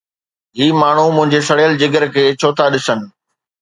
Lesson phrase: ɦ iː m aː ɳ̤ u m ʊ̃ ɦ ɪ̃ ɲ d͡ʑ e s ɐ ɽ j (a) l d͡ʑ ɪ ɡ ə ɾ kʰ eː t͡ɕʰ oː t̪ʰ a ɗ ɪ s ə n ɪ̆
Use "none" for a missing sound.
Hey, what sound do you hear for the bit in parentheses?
ə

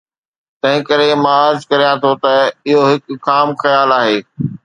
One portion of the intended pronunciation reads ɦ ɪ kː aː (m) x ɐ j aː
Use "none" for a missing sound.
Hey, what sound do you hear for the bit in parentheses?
m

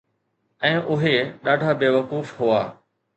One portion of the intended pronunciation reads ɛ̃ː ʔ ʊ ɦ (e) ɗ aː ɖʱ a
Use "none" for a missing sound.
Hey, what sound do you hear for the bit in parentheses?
e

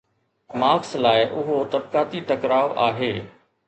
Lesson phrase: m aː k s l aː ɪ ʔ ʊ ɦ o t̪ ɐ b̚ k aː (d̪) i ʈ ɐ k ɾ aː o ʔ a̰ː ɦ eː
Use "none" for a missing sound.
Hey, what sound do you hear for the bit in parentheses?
t̪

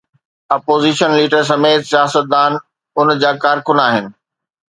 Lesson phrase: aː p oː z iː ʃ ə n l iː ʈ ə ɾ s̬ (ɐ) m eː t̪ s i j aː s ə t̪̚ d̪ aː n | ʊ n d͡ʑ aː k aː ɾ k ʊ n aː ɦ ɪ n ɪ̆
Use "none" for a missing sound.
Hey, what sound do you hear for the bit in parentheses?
ɐ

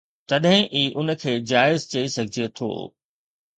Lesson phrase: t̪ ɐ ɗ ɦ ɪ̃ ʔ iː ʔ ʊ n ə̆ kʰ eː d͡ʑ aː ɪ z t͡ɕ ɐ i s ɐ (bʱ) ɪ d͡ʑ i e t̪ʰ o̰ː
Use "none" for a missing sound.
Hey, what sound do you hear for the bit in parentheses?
ɡʱ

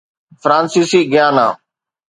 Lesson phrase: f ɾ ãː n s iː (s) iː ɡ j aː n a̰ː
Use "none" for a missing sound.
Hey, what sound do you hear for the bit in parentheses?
s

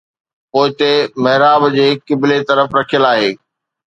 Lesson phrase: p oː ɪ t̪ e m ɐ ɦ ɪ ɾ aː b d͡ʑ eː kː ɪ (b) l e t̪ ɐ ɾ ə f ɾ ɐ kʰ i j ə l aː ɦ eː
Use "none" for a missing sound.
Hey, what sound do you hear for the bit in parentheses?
b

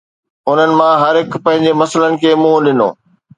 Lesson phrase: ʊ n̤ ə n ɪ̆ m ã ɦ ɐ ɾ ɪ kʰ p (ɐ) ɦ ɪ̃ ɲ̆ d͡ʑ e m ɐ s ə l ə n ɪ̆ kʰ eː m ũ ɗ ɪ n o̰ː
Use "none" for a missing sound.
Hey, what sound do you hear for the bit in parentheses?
ɐ̃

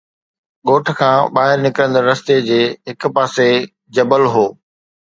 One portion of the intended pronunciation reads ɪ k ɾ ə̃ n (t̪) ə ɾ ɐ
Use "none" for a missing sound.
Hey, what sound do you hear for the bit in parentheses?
d̪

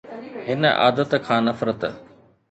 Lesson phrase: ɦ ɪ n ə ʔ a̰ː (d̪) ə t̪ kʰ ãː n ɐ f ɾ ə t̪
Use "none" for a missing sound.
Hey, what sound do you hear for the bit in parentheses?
d̪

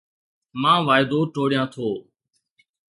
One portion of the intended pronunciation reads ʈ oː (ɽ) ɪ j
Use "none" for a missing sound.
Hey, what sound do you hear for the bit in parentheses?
ɽ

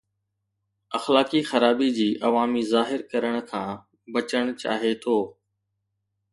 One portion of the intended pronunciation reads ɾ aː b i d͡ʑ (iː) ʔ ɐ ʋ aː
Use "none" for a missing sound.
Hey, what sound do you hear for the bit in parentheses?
iː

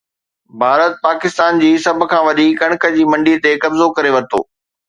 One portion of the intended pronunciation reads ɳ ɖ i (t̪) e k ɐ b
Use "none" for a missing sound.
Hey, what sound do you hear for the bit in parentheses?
t̪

